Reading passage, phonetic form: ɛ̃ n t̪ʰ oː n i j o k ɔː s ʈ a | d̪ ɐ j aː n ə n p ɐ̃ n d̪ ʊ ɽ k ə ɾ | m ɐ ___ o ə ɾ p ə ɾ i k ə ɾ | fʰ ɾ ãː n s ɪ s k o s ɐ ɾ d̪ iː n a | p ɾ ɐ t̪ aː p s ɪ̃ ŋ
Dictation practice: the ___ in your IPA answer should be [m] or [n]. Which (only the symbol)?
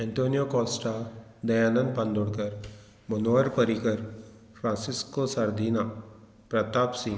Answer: n